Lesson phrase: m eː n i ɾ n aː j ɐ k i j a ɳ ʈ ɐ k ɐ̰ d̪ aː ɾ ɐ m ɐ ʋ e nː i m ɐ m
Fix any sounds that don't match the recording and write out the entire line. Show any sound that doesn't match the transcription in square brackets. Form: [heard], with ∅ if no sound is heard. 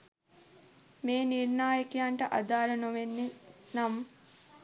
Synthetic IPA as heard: m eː n i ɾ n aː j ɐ k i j a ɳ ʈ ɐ [ʔ] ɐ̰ d̪ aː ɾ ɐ [n] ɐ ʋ e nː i [n] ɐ m